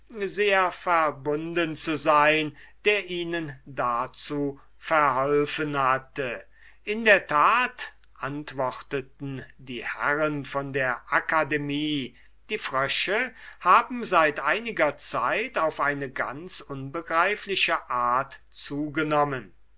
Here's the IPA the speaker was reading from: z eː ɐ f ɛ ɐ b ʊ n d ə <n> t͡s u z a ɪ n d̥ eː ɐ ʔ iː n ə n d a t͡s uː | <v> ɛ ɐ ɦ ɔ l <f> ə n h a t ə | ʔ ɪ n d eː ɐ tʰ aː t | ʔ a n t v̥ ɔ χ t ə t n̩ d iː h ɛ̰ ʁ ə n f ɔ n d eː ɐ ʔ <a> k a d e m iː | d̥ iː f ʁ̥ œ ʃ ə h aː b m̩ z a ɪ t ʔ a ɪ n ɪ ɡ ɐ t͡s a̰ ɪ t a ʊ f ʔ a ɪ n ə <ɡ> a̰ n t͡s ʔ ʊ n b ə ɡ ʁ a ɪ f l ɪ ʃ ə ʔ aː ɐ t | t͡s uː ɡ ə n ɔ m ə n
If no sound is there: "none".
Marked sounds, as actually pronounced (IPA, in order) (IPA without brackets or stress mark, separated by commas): n, f, f, a, ɡ